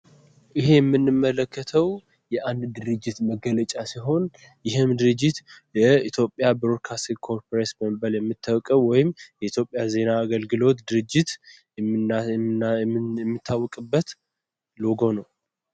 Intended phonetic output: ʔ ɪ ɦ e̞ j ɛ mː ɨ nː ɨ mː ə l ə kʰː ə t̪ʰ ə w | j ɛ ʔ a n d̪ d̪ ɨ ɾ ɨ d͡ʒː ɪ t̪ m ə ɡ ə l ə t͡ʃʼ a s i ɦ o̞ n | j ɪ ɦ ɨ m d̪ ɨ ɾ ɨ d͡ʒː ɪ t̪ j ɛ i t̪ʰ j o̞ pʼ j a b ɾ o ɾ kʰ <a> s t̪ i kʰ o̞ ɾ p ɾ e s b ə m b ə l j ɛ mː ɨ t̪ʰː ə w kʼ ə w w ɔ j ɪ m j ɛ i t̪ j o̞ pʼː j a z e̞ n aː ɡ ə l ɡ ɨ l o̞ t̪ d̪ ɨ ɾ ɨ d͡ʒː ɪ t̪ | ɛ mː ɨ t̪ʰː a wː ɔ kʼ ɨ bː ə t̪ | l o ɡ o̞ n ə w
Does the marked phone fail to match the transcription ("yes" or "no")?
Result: no